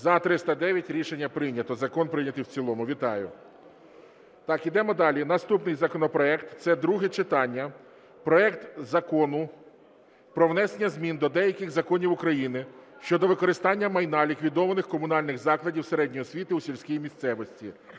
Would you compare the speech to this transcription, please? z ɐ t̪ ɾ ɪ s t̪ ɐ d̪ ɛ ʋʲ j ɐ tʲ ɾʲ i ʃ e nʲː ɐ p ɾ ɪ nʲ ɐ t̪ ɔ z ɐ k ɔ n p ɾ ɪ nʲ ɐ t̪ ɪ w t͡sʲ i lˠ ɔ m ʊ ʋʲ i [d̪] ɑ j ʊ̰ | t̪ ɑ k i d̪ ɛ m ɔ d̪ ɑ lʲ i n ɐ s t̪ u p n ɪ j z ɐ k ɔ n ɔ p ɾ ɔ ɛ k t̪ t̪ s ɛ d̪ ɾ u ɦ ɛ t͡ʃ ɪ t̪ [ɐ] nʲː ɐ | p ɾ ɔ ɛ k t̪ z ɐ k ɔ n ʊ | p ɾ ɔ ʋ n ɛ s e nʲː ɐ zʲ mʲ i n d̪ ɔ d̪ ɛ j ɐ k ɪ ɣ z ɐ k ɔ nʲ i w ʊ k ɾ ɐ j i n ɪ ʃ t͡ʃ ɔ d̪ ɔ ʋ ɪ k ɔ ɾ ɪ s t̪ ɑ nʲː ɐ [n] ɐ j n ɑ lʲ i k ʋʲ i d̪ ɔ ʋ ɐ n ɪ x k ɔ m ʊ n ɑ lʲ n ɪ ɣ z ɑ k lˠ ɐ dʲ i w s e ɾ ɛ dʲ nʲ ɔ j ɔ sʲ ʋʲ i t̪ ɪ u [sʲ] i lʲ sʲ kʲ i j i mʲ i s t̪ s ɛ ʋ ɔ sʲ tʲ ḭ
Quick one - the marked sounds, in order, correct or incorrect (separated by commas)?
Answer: incorrect, incorrect, incorrect, correct